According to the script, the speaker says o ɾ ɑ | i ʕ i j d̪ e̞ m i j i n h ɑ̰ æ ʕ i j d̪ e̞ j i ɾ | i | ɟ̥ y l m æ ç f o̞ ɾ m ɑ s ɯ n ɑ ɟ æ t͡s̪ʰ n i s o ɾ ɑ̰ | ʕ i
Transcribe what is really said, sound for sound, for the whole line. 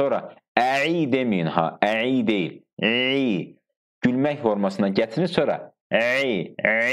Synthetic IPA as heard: o ɾ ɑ | æ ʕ i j d̪ e̞ m i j i n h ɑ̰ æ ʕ i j d̪ e̞ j i l | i | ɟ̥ y l m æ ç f o̞ ɾ m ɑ s ɯ n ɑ ɟ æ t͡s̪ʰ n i s o ɾ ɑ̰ | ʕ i